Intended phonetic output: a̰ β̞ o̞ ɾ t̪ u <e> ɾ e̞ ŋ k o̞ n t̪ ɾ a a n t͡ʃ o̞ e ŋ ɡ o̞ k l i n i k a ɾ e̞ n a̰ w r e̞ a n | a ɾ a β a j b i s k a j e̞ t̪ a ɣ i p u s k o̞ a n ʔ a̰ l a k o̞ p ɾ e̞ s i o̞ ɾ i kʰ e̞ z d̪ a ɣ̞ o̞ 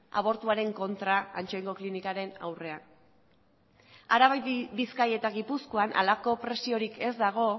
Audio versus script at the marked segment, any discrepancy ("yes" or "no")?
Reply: yes